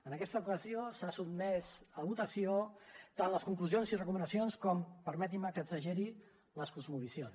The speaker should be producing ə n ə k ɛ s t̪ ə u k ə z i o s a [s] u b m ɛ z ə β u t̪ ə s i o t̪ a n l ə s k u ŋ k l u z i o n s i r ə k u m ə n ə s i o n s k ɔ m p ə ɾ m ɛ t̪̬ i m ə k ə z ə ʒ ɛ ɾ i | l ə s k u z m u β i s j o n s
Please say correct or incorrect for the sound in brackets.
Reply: correct